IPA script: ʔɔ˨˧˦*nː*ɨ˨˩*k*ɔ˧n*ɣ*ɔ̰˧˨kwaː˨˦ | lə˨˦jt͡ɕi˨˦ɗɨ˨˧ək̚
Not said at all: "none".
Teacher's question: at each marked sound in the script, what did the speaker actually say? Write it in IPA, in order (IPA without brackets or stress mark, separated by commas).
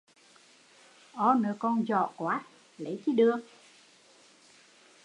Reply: n, k, z